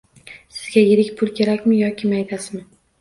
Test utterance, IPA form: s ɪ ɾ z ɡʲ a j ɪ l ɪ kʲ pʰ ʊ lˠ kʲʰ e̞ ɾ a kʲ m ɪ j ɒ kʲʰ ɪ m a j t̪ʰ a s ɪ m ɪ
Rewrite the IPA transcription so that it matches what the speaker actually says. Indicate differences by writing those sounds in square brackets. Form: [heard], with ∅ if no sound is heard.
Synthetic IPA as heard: s ɪ [∅] z ɡʲ a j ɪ [ɾ] ɪ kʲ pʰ ʊ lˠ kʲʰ e̞ ɾ a kʲ m ɪ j ɒ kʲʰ ɪ m a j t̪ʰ a s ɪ m ɪ